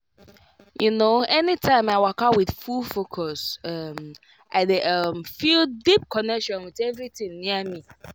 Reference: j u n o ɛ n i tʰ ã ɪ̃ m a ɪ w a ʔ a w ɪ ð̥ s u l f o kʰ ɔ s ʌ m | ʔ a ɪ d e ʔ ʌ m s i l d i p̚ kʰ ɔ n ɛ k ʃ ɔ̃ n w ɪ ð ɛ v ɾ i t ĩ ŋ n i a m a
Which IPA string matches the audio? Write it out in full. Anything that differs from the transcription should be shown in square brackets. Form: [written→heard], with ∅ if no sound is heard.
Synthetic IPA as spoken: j u n o ɛ n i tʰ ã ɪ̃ m a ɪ w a [ʔ→k] a w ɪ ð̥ [s→f] u l f o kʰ ɔ s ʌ m | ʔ a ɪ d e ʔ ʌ m [s→f] i l d i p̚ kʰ ɔ n ɛ k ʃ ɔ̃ n w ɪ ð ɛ v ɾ i t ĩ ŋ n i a m [a→i]